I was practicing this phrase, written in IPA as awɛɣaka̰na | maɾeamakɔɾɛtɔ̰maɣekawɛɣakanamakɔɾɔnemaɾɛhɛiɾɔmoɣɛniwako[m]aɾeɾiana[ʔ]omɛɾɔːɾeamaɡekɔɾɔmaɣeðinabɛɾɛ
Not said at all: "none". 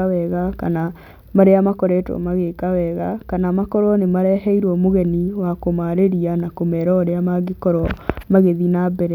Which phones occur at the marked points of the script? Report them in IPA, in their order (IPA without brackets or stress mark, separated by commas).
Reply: m, k